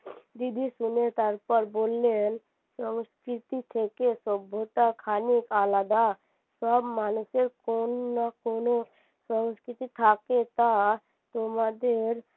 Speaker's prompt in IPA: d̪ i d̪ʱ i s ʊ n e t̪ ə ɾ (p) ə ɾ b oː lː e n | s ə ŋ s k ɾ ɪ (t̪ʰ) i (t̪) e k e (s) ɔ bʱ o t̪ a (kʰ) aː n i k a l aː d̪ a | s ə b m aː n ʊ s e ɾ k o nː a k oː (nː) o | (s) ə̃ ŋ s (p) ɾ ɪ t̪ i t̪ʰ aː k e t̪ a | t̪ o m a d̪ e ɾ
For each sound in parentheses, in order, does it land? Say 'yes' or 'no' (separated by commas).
yes, no, no, yes, yes, no, yes, no